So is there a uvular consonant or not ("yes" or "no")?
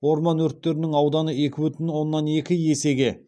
no